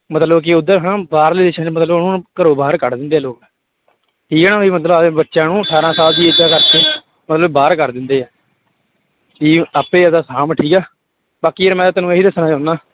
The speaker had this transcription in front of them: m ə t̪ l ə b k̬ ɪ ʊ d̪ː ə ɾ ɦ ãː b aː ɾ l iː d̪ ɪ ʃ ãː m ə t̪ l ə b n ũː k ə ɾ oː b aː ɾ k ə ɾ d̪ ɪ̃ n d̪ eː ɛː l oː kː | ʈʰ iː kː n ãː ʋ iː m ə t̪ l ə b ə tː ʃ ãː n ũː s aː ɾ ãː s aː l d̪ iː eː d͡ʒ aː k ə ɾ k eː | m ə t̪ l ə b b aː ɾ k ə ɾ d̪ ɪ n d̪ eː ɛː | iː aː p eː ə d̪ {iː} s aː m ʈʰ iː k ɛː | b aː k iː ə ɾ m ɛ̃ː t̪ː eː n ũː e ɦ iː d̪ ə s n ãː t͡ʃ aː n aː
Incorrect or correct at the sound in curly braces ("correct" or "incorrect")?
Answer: incorrect